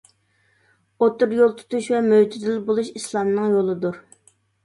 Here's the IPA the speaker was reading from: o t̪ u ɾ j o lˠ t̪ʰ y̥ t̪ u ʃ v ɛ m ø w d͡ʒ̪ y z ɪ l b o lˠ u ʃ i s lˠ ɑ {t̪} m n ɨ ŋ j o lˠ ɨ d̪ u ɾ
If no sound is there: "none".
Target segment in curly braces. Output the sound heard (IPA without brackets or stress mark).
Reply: none